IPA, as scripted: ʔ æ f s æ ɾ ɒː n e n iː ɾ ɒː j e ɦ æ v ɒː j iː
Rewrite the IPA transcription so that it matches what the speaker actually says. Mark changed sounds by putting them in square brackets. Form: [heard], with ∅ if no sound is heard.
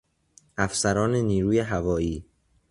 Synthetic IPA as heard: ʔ æ f s æ ɾ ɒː n e n iː ɾ [uː] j e ɦ æ v ɒː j iː